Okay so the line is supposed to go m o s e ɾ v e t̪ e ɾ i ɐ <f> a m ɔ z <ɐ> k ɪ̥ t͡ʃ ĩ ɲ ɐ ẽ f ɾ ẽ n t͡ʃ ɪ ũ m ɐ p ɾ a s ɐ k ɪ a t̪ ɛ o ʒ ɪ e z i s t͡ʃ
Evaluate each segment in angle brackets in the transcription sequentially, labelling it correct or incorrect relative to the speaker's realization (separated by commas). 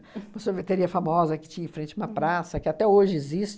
correct, correct